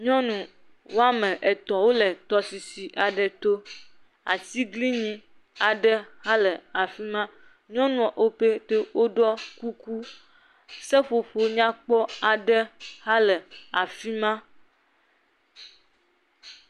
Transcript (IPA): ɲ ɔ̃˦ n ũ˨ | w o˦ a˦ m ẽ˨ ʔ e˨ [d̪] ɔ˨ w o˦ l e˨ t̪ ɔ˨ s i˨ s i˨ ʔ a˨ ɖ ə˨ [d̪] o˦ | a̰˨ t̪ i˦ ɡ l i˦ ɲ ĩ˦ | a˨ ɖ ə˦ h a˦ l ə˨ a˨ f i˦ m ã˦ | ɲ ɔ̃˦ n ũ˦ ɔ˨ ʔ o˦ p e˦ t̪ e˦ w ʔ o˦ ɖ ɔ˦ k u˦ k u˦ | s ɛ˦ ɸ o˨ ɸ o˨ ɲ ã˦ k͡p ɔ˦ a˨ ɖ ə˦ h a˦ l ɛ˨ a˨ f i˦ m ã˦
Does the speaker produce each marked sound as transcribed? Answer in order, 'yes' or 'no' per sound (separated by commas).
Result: no, no